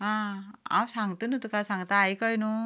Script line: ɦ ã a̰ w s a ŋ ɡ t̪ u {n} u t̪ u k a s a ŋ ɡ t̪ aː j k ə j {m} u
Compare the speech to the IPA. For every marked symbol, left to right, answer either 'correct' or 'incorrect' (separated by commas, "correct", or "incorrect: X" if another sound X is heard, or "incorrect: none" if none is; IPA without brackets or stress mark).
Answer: correct, incorrect: n